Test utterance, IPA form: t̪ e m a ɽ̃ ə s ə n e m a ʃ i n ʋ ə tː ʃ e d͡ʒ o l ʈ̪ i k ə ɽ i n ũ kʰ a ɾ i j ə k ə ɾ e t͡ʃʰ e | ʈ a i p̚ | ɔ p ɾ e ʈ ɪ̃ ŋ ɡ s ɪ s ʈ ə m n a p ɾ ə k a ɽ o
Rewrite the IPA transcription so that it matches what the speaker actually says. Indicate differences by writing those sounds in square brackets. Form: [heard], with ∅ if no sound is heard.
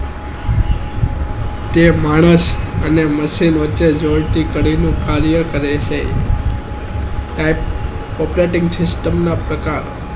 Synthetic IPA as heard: t̪ e m a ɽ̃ ə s ə n e m [ə] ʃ i n ʋ ə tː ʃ e d͡ʒ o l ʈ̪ i k ə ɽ i n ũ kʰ a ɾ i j ə k ə ɾ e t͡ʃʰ e | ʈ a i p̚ | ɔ p ɾ e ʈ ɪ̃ ŋ ɡ s ɪ s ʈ ə m n a p ɾ ə k a [ɾ] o